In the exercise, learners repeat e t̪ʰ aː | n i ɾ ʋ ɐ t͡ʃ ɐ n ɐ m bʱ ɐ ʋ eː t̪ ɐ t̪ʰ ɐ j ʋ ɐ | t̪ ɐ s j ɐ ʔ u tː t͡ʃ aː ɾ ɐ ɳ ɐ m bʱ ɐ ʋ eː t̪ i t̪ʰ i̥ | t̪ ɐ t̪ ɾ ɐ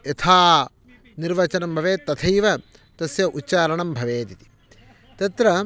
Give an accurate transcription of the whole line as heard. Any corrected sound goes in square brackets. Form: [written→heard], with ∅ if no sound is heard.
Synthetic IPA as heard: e t̪ʰ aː | n i ɾ ʋ ɐ t͡ʃ ɐ n ɐ m bʱ ɐ ʋ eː t̪ ɐ t̪ʰ ɐ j ʋ ɐ | t̪ ɐ s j ɐ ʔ u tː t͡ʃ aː ɾ ɐ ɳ ɐ m bʱ ɐ ʋ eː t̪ i [t̪ʰ→t̪] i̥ | t̪ ɐ t̪ ɾ ɐ